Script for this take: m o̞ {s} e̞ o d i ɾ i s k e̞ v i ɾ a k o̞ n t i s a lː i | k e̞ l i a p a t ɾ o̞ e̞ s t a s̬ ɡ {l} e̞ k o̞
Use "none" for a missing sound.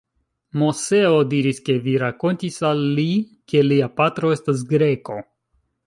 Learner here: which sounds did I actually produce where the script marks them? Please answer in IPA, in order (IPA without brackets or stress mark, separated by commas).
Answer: s, ɾ